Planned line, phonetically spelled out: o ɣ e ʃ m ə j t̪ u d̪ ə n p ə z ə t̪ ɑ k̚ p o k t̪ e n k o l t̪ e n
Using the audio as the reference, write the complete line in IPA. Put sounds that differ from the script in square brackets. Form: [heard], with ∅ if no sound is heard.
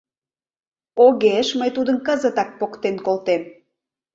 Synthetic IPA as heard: o ɣ e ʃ m ə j t̪ u d̪ ə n [k] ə z ə t̪ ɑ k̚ p o k t̪ e n k o l t̪ e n

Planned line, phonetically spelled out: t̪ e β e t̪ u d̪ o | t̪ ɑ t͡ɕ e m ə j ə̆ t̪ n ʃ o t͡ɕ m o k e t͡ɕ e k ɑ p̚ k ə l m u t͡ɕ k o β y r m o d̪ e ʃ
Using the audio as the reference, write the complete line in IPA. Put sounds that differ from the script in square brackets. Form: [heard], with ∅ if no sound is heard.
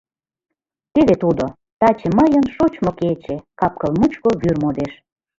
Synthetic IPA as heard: t̪ e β e t̪ u d̪ o | t̪ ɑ t͡ɕ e m ə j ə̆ [∅] n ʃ o t͡ɕ m o k e t͡ɕ e k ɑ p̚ k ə l m u t͡ɕ k o β y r m o d̪ e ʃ

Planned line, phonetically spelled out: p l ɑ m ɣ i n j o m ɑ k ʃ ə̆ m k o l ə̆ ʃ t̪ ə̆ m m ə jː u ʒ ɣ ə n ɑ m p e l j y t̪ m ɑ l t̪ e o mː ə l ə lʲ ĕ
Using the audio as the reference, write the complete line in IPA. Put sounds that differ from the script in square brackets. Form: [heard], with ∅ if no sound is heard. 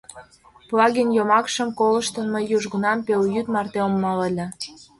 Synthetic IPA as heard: p l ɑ [∅] ɣ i n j o m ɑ k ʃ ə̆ m k o l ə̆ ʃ t̪ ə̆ [n] m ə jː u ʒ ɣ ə n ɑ m p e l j y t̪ m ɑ [r] t̪ e o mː [ɑ] l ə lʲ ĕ

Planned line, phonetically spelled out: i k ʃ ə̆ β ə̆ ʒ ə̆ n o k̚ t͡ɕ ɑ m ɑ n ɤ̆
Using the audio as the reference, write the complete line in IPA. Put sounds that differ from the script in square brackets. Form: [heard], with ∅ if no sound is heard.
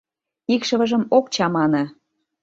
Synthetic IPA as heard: i k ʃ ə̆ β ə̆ ʒ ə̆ [m] o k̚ t͡ɕ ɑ m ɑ n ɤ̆

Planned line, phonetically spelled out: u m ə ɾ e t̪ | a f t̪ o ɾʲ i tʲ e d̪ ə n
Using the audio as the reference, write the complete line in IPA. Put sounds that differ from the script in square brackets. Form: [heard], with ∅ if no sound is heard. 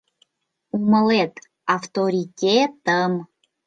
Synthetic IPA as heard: u m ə [l] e t̪ | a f t̪ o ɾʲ i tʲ e [t̪] ə [m]

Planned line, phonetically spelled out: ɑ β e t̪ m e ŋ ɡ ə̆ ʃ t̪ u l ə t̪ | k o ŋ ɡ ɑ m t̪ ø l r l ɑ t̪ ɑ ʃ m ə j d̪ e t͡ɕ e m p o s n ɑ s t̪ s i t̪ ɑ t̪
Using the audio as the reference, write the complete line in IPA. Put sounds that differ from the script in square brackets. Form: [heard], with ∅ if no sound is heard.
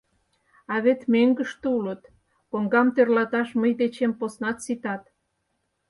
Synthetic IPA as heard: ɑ β e t̪ m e ŋ ɡ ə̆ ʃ t̪ u l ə t̪ | k o ŋ ɡ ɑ m t̪ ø [∅] r l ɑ t̪ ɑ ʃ m ə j d̪ e t͡ɕ e m p o s n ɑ [∅] t̪ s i t̪ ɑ t̪

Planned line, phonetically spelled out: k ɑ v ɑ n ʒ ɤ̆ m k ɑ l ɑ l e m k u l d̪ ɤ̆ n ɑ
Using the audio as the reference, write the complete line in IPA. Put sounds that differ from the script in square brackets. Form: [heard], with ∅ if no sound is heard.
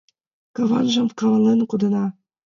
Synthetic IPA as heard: k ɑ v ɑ n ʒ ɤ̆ m k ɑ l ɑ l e [n] k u [∅] d̪ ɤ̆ n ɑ

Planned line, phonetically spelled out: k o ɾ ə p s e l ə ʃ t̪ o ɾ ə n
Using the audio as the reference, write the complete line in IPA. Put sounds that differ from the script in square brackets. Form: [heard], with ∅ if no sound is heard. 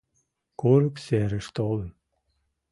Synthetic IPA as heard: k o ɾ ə [k] s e [ɾ] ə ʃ t̪ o [l] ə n

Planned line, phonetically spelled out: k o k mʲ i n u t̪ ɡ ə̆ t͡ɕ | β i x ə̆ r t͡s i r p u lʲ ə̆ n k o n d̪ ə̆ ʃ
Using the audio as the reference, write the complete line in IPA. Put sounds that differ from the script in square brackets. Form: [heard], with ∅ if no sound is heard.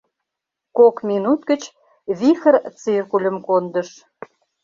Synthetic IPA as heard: k o k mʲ i n u t̪ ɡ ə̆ t͡ɕ | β i x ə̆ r t͡s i r [k] u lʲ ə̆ [m] k o n d̪ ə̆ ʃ

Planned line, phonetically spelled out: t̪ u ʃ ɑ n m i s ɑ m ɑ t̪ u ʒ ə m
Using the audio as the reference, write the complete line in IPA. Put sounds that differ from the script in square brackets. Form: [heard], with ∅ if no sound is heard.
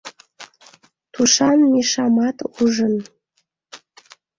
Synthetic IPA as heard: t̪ u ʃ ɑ n m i [ʃ] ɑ m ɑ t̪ u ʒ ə [n]

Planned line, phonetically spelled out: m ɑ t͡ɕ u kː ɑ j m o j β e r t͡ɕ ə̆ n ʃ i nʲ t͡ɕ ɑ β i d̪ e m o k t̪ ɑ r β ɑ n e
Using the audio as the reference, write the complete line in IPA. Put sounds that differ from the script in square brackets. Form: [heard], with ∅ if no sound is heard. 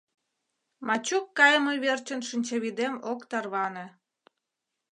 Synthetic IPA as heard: m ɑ t͡ɕ u kː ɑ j m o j β e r t͡ɕ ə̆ n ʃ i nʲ t͡ɕ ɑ β i d̪ e m o k t̪ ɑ r β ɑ n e

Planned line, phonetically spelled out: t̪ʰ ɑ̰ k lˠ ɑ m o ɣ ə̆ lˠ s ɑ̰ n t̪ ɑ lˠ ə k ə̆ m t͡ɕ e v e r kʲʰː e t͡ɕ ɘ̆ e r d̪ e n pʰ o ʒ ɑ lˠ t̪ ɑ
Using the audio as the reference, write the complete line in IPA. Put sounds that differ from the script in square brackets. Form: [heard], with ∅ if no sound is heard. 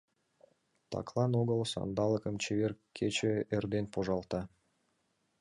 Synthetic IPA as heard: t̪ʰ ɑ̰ k lˠ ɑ [n] o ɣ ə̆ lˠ s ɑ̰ n [d̪] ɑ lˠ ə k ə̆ m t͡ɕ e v e r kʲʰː e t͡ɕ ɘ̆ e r d̪ e n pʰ o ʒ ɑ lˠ t̪ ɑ

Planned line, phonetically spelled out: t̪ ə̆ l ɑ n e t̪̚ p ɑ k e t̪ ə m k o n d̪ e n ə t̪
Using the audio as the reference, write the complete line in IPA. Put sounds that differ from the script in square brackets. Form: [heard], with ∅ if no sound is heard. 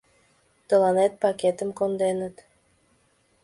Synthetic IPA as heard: t̪ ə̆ l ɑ n e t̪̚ p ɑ k e t̪ ə m k o n d̪ e n ə t̪

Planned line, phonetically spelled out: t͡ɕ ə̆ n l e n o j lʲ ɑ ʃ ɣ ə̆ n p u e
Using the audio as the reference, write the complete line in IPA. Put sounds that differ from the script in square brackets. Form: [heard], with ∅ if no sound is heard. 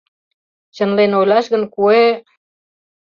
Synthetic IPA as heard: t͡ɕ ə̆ n l e n o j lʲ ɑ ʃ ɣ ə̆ n [k] u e

